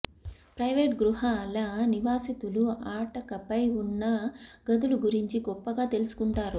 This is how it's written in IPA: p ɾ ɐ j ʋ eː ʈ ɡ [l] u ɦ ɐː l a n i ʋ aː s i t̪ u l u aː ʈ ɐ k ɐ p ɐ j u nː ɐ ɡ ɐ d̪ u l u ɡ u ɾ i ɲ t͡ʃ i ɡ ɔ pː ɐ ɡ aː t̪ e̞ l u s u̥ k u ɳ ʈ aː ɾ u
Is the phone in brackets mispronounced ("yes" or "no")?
yes